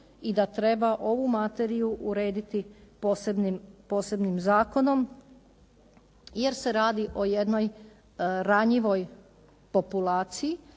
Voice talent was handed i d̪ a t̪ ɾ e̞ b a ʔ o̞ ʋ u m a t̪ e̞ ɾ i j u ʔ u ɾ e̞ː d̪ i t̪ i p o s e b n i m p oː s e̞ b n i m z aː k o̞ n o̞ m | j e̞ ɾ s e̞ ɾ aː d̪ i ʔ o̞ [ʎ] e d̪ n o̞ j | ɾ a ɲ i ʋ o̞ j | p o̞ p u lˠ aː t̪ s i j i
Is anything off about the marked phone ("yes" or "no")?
yes